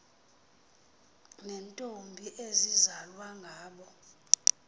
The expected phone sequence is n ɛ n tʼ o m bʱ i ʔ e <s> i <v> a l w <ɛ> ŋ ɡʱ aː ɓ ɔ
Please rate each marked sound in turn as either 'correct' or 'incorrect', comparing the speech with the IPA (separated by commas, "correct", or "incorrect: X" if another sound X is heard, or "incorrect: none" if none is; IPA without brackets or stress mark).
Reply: incorrect: z, incorrect: z, incorrect: a